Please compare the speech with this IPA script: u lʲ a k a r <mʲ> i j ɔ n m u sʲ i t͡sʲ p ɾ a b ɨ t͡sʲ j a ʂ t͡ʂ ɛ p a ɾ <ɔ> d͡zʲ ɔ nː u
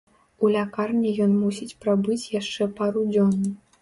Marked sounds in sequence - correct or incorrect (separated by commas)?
incorrect, incorrect